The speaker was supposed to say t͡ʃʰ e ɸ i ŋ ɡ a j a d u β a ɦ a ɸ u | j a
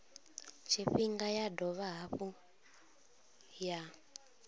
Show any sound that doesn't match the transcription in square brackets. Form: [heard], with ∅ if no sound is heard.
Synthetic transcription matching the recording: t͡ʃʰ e ɸ i ŋ ɡ a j a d [ɔ] β a ɦ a ɸ u | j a

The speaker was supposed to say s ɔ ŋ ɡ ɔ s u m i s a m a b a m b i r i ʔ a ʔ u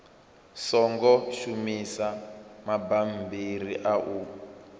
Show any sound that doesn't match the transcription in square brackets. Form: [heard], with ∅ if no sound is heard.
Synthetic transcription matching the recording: s ɔ ŋ ɡ ɔ [ʃ] u m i s a m a b a m b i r i ʔ a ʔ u

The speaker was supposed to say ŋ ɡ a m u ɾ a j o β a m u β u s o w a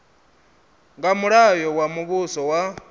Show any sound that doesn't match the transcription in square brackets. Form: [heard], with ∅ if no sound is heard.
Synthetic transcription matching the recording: ŋ ɡ a m u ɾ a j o [w] a m u β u s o w a

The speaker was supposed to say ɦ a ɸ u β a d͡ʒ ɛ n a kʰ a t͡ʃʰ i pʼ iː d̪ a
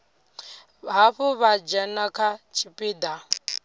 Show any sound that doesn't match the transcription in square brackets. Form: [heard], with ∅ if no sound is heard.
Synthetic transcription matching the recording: ɦ a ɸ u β a d͡ʒ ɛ n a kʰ a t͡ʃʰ i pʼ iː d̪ a

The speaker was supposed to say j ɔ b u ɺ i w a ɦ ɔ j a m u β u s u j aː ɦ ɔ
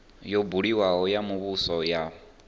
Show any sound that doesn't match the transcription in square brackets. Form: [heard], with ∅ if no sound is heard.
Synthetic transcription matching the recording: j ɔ b u ɺ i w a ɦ ɔ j a m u β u s [ɔ] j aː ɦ ɔ

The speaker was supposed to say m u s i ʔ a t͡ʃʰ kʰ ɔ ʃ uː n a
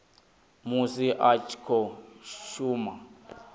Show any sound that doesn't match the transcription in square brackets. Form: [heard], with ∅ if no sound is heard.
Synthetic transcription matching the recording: m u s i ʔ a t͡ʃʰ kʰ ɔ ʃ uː [m] a

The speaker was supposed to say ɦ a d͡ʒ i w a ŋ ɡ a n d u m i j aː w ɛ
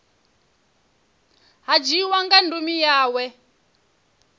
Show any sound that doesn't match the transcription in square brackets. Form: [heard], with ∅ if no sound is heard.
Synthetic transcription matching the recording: ɦ a d͡ʒ i w a ŋ ɡ a n d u m i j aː w ɛ

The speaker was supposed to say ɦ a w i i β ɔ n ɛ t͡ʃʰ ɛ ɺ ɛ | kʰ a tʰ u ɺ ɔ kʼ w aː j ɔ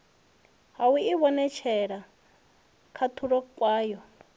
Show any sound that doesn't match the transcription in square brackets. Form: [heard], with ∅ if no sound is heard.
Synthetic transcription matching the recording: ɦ a w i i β ɔ n ɛ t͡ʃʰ ɛ ɺ [a] | kʰ a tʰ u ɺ ɔ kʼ w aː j ɔ

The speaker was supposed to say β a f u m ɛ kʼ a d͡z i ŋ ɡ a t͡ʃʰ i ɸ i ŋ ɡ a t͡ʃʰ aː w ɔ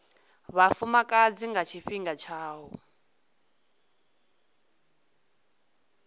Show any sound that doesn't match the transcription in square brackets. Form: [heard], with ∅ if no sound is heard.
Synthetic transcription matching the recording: β a f u m [a] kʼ a d͡z i ŋ ɡ a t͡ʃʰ i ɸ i ŋ ɡ a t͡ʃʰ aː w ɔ

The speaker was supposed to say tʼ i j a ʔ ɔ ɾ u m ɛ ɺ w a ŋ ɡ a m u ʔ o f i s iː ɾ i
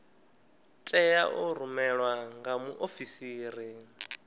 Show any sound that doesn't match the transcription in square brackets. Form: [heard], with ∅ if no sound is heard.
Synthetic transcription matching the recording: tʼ [ɛ] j a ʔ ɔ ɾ u m ɛ ɺ w a ŋ ɡ a m u ʔ o f i s iː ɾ i

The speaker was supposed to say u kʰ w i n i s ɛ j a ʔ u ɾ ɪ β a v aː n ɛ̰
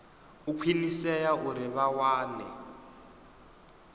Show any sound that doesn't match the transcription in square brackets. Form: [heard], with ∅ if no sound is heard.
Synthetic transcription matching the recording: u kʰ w i n i s ɛ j a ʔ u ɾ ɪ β a [w] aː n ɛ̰

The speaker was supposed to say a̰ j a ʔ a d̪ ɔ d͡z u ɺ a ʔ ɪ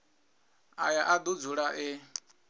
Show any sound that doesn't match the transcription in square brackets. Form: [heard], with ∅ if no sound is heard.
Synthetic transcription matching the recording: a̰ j a ʔ a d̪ [u] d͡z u ɺ a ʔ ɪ

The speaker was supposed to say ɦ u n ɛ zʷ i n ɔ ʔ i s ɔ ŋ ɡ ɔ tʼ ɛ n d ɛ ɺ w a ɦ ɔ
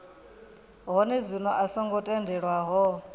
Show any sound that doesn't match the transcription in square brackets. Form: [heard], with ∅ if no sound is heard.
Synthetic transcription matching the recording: ɦ [ɔ] n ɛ zʷ i n ɔ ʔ [a] s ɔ ŋ ɡ ɔ tʼ ɛ n d ɛ ɺ w a ɦ ɔ

